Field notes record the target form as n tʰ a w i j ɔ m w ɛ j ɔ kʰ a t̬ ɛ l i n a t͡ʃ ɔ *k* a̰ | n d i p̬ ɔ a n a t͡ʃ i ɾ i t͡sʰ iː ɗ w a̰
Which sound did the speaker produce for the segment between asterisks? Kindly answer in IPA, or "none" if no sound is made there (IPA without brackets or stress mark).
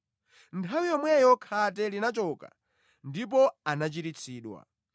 k